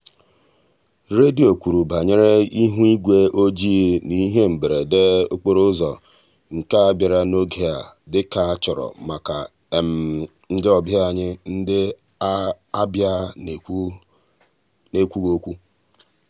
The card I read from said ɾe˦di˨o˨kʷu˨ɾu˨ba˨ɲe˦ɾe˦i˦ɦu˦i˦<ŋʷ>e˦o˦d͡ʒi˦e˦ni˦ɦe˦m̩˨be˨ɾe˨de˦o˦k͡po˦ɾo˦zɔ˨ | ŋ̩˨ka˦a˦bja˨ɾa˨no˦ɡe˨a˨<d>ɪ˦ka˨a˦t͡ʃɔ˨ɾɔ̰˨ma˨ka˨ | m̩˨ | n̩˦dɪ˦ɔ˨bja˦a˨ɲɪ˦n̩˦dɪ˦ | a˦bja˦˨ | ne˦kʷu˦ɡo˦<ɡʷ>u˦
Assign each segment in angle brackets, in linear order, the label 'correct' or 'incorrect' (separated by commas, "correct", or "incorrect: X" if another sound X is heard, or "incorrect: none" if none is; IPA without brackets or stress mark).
incorrect: ɡʷ, correct, incorrect: kʷ